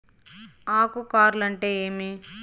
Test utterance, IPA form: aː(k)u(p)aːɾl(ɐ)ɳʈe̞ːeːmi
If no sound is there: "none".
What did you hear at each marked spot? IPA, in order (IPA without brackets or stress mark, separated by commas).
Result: k, k, ɐ